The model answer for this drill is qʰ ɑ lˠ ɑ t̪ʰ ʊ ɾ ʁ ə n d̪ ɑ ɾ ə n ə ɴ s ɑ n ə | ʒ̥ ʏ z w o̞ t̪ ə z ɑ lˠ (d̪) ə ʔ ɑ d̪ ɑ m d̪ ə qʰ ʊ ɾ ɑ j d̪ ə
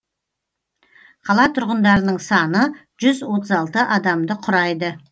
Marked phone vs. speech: incorrect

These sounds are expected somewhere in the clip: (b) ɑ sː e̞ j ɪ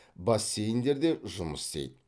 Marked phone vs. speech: correct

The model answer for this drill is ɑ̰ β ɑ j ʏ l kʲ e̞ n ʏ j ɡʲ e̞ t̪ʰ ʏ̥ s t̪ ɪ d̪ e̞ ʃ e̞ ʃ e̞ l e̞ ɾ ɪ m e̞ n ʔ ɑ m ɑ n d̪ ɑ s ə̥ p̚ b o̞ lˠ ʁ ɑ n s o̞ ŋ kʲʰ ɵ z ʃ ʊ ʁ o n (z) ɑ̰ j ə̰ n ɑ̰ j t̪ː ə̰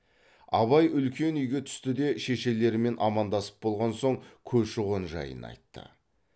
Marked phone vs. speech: incorrect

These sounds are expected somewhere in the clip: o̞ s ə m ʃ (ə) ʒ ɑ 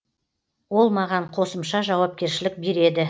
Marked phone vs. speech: incorrect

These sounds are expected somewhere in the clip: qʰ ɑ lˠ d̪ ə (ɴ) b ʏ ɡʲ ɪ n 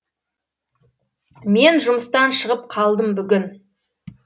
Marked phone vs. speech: incorrect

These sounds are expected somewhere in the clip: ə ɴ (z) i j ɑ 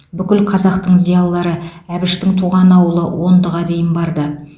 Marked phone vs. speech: correct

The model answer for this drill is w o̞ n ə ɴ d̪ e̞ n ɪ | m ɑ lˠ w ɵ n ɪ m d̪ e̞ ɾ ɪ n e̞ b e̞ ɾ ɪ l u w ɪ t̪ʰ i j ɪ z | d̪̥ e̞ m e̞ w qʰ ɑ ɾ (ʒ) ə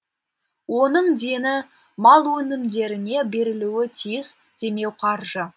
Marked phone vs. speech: correct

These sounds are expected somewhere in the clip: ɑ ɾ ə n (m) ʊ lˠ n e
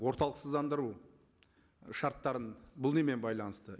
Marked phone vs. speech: incorrect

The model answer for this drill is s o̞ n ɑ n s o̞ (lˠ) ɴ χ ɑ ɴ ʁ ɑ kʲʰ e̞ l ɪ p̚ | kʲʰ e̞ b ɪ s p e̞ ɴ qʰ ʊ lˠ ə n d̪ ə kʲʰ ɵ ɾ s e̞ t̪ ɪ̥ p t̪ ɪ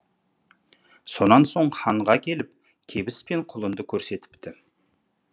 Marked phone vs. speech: incorrect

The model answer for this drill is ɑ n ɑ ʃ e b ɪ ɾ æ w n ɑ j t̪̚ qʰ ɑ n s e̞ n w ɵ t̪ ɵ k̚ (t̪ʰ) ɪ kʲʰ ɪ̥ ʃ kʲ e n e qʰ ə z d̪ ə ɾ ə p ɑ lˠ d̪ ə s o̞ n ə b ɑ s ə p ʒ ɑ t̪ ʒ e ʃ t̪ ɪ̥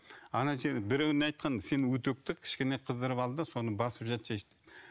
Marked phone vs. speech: incorrect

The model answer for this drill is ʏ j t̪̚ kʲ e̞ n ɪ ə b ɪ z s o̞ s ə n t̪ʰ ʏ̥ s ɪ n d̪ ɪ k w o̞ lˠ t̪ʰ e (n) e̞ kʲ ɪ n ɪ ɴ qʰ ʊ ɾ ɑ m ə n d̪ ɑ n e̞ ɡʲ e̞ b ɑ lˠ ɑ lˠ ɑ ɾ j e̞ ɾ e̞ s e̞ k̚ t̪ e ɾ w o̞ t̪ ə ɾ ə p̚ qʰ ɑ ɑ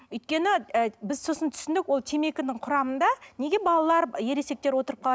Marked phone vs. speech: incorrect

